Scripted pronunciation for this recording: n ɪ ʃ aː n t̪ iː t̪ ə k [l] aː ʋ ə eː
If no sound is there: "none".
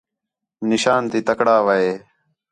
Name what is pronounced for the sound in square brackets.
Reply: ɽ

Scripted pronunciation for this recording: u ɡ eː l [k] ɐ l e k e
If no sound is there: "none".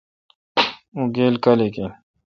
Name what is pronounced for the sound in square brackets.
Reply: k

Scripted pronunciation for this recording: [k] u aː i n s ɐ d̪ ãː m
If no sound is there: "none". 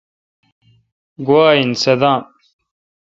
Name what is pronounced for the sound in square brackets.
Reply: ɡ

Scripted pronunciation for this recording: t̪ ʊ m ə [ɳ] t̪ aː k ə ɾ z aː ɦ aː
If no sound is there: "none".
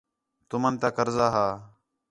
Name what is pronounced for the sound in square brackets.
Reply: n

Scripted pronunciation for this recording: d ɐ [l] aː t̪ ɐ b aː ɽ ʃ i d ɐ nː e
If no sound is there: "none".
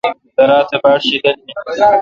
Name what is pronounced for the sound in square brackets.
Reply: ɾ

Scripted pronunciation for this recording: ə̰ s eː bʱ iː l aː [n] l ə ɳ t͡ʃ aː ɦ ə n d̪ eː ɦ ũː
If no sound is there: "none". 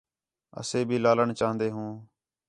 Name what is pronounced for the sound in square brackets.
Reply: none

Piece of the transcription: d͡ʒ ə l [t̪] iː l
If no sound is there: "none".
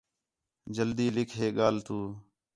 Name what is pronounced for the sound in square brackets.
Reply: d̪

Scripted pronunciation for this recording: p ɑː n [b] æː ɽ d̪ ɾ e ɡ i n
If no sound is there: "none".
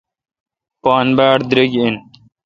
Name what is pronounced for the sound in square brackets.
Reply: b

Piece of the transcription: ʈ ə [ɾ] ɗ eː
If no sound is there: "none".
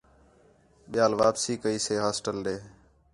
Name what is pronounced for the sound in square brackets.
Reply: l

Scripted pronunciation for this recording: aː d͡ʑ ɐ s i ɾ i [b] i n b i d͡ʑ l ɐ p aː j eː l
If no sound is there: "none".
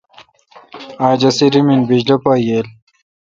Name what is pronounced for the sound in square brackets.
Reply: m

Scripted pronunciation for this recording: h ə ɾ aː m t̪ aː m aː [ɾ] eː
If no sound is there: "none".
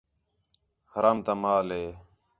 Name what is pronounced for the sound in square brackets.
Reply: l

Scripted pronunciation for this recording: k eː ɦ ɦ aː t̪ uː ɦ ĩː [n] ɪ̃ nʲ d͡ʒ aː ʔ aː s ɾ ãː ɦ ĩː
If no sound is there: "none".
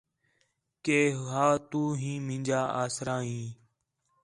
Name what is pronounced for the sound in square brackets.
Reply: m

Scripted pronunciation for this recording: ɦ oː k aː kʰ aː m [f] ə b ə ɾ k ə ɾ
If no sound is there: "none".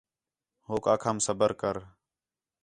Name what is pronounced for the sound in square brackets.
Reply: s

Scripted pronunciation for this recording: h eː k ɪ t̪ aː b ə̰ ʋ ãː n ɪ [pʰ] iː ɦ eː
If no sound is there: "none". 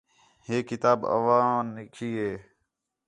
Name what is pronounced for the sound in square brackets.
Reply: kʰ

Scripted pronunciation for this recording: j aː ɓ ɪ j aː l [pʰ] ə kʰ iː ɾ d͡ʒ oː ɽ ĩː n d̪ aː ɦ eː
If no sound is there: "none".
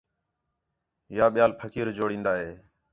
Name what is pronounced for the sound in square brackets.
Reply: pʰ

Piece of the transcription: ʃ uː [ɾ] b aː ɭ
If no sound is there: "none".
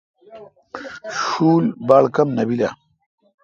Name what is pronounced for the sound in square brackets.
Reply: l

